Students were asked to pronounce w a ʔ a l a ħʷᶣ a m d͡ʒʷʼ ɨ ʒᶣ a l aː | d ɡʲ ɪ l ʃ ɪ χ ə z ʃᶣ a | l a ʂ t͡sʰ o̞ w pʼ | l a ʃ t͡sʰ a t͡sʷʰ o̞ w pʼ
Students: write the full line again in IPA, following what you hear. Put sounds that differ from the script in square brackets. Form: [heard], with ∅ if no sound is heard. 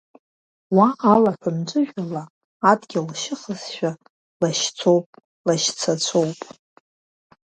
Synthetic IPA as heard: w a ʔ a l a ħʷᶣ a m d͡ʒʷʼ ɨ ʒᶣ a l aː | d ɡʲ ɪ l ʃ ɪ χ ə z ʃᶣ a | l a [ʃ] t͡sʰ o̞ w pʼ | l a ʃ t͡sʰ a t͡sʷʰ o̞ w pʼ